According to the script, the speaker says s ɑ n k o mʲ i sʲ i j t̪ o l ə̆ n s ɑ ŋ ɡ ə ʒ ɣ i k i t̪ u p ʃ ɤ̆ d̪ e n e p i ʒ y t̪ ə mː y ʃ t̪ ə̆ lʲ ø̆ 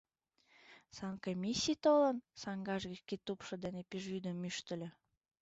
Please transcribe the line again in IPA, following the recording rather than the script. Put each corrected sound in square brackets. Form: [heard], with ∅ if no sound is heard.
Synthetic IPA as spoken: s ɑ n k o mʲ i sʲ i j t̪ o l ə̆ n s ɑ ŋ ɡ [ɑ] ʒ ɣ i k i t̪ u p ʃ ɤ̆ d̪ e n e p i ʒ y [d̪] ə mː y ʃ t̪ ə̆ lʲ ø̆